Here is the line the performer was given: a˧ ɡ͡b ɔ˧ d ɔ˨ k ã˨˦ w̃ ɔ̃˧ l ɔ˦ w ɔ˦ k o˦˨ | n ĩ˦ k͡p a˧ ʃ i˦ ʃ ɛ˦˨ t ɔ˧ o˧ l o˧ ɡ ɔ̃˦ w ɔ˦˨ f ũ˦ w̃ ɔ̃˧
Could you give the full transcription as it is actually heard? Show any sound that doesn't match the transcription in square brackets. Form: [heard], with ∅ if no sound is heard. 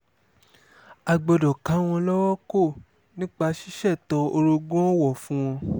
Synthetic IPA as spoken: a˧ ɡ͡b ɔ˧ d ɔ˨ k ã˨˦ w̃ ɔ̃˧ l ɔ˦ w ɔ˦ k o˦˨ | n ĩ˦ k͡p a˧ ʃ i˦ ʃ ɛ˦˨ t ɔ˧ o˧ [ɾ] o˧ ɡ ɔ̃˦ w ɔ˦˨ f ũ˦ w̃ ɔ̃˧